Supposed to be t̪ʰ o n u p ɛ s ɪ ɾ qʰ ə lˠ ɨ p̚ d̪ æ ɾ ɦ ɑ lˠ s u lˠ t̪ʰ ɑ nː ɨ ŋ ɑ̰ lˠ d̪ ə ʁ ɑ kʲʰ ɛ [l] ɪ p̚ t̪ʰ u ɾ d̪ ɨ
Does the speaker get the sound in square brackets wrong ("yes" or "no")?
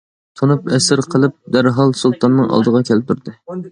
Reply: no